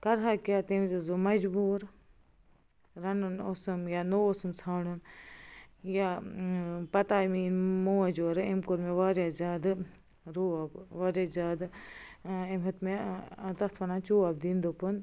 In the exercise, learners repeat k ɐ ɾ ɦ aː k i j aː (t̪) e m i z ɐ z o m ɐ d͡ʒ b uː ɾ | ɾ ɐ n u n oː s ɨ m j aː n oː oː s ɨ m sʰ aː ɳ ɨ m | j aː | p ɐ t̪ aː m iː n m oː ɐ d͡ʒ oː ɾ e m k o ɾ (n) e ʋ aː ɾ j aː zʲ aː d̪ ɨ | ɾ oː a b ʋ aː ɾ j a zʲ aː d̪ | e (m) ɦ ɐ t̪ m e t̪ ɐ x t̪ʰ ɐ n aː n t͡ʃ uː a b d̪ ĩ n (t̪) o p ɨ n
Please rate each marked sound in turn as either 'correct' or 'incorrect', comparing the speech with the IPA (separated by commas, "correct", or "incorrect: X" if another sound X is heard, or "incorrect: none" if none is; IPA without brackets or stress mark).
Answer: correct, incorrect: m, correct, incorrect: d̪